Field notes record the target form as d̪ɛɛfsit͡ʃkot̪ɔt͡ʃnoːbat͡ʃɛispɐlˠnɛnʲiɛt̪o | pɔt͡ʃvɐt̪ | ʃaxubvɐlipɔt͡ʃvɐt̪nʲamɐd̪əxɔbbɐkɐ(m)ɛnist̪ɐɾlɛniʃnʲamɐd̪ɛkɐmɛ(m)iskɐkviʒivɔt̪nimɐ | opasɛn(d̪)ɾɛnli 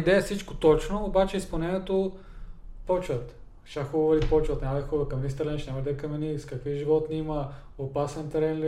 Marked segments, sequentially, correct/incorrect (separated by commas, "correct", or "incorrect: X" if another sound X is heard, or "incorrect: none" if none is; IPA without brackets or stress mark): correct, incorrect: n, incorrect: t̪